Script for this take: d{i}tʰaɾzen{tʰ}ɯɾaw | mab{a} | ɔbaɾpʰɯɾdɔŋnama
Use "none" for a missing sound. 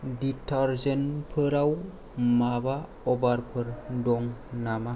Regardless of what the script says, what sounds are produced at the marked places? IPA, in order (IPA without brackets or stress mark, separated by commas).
i, pʰ, a